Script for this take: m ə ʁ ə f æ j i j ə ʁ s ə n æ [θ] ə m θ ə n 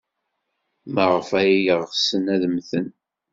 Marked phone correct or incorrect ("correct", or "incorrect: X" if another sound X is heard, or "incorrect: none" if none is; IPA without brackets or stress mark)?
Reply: incorrect: ð